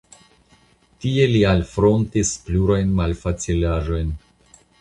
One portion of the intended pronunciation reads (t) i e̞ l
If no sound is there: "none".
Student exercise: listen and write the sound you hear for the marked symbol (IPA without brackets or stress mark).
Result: t